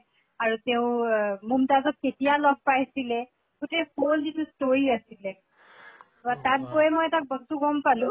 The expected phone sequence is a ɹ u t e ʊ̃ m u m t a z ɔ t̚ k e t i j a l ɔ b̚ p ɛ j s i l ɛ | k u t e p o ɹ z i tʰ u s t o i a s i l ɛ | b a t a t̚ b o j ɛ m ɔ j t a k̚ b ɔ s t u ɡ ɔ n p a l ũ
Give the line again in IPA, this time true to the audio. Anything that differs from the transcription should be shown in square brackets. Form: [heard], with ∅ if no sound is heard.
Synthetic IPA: a ɹ u t e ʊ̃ m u m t a z ɔ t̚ k e t i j a l ɔ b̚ p [a] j s i l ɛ | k u t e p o [l] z i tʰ u s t o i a s i l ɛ | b a t a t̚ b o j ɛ m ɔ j t a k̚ b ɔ s t u ɡ ɔ [m] p a l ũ